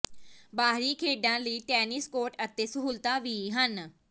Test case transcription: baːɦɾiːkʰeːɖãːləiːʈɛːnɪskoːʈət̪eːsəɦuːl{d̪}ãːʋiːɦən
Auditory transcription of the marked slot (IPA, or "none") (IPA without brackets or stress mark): t̪